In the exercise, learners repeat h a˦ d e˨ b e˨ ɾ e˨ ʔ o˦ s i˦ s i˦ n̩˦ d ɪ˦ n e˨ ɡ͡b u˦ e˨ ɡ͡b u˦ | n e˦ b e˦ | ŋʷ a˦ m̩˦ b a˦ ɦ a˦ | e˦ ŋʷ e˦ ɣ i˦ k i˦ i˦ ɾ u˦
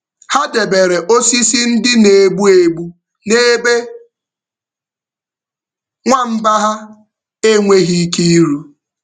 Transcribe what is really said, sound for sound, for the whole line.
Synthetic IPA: h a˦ d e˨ b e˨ ɾ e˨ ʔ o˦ s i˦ s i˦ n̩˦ d ɪ˦ n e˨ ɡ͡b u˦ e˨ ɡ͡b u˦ | n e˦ b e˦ | ŋʷ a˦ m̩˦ b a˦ ɦ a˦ | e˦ ŋʷ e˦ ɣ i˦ k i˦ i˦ ɾ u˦